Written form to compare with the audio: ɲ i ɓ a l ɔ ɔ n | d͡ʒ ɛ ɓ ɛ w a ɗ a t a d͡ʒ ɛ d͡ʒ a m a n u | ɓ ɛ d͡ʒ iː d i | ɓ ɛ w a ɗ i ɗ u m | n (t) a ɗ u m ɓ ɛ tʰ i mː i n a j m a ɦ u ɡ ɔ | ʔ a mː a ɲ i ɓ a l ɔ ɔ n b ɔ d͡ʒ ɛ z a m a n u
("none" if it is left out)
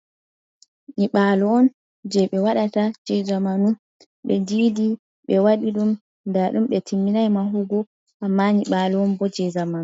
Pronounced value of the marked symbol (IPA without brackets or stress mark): d